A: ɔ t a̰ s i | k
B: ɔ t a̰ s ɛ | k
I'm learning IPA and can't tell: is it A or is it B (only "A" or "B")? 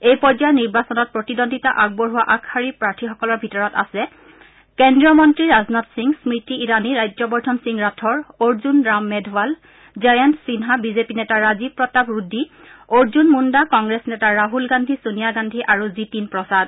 B